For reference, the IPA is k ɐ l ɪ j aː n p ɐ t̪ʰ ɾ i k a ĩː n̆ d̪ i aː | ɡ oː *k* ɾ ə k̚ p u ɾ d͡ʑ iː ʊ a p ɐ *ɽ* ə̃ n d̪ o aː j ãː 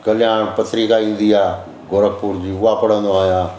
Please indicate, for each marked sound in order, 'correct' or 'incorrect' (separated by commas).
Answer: incorrect, correct